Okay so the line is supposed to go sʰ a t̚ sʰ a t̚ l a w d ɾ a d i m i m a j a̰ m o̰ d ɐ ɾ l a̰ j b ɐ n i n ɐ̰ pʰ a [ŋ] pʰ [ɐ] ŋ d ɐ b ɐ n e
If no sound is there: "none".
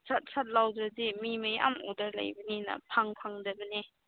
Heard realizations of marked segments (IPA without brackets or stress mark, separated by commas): ŋ, a